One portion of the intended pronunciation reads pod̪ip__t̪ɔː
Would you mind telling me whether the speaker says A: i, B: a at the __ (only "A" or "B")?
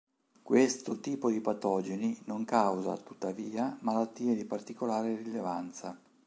B